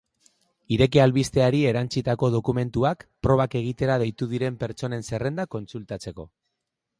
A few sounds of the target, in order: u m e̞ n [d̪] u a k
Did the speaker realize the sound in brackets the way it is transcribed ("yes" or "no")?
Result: no